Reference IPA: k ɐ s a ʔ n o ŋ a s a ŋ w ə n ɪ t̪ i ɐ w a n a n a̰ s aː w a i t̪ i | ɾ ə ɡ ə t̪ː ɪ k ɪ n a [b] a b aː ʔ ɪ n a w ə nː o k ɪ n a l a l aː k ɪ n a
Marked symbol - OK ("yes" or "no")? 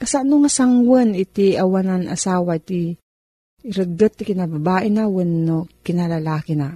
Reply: yes